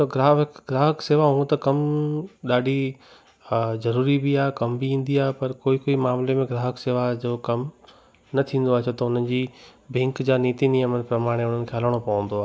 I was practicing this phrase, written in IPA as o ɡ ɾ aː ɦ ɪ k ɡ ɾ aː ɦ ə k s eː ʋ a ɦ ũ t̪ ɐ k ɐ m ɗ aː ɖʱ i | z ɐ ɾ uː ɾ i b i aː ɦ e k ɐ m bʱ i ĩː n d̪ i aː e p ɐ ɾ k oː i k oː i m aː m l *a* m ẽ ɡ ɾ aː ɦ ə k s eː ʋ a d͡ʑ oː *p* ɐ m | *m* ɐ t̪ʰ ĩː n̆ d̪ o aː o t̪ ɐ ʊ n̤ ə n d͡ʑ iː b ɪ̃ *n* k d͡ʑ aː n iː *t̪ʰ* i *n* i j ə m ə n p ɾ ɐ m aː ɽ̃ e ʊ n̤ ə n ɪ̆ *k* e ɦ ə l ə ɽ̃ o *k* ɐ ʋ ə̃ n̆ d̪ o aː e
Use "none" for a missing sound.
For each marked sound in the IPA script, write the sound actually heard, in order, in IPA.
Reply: e, k, n, ŋ, t̪, n, kʰ, p

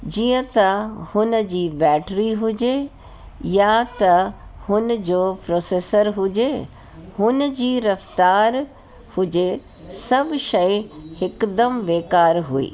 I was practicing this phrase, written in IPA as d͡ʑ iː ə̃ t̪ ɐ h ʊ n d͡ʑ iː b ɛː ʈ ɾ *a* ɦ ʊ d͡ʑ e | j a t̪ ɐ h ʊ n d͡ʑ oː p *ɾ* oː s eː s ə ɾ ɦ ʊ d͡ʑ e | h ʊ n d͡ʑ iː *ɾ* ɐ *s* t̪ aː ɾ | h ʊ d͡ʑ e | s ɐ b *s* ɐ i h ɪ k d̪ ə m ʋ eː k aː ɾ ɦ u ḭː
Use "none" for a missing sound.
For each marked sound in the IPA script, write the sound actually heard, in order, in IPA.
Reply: i, ɾ, ɾ, f, ʃ

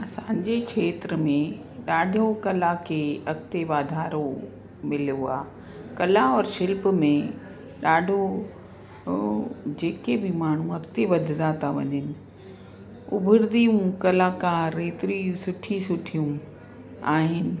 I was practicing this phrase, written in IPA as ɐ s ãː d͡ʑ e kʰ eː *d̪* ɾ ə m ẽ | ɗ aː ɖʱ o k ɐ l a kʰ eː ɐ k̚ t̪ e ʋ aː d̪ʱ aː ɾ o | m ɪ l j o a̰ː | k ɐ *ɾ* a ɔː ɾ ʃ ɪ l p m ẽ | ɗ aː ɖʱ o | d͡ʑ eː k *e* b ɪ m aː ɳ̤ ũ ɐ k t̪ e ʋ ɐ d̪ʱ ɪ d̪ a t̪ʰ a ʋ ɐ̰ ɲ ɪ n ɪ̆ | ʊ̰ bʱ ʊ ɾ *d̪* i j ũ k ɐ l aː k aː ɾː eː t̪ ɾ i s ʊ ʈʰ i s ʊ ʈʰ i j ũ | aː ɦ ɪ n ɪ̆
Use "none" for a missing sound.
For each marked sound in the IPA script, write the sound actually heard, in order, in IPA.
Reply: t̪, l, e, d̪

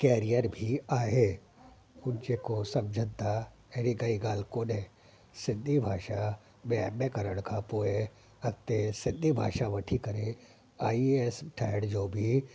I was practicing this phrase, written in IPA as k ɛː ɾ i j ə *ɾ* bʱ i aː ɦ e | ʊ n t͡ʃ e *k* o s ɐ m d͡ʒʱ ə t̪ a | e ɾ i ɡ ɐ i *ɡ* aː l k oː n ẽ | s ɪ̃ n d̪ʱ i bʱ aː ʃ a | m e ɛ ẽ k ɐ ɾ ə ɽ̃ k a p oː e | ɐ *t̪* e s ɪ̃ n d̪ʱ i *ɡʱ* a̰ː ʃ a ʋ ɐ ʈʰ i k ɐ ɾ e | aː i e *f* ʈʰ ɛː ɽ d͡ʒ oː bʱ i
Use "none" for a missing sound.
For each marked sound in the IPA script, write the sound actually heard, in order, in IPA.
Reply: ɾ, k, ɡ, t̪, bʱ, s

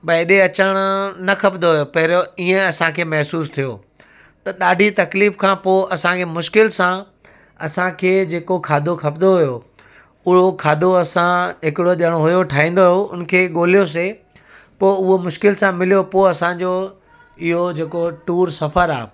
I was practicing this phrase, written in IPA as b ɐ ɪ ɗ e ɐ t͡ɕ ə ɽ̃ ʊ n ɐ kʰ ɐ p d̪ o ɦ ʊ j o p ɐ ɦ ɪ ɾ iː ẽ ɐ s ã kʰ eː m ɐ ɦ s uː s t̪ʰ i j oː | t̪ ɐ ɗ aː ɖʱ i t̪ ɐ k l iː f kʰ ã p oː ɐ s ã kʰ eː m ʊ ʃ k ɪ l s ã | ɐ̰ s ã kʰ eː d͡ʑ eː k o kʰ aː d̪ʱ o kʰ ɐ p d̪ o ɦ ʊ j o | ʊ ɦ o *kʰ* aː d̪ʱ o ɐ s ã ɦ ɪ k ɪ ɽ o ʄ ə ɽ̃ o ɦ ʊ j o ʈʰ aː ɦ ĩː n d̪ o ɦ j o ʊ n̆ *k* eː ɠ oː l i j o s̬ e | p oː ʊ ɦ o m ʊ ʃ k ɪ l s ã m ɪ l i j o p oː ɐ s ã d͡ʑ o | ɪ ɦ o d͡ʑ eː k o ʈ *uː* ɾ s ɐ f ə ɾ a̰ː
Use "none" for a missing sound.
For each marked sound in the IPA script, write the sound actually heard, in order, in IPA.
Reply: kʰ, kʰ, uː

